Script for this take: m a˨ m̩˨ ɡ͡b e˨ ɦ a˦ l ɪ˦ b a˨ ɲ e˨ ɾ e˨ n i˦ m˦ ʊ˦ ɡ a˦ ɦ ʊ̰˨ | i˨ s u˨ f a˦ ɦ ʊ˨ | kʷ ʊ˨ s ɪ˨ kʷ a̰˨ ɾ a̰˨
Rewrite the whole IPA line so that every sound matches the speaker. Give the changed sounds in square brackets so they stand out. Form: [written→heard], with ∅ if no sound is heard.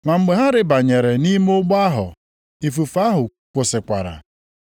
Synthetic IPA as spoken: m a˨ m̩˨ ɡ͡b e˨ ɦ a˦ [l→ɾ] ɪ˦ b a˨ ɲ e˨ ɾ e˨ n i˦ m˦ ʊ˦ [ɡ→ɡ͡b] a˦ ɦ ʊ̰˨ | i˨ [s→f] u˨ f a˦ ɦ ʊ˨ | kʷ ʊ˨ s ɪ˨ kʷ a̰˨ ɾ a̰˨